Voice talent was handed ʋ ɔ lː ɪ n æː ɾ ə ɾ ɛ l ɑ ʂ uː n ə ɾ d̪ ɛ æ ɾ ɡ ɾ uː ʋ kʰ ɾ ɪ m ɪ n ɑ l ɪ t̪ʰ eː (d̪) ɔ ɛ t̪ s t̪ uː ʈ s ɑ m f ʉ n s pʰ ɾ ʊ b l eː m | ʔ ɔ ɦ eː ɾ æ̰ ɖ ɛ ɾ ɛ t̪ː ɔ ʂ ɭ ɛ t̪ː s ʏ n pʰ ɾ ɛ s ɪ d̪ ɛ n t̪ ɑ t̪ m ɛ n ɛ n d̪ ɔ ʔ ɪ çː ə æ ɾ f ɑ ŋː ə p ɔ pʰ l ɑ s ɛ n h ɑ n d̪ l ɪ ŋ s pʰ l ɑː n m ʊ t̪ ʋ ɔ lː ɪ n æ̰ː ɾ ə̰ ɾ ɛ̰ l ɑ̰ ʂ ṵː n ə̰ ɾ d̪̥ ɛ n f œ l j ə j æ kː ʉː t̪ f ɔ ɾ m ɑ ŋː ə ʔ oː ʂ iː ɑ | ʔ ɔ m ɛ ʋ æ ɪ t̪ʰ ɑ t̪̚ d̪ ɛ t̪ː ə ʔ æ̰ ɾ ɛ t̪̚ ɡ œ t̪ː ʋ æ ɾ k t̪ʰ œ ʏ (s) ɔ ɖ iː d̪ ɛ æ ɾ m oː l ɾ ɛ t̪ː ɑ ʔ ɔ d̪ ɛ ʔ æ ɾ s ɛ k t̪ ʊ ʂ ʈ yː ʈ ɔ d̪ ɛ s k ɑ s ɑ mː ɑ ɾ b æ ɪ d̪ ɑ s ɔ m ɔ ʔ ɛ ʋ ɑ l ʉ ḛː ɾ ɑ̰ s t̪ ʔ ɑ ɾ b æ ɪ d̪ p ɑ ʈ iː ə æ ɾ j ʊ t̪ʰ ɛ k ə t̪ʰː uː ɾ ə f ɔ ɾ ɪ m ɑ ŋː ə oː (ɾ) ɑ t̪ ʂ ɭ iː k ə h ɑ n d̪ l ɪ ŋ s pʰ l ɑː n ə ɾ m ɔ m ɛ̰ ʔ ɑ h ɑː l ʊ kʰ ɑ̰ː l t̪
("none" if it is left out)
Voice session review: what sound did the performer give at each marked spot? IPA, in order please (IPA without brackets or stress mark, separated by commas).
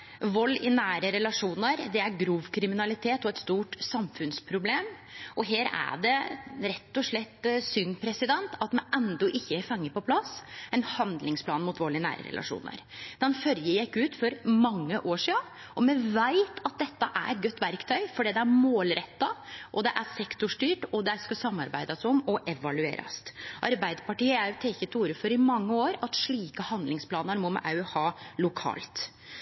t̪, f, ɾ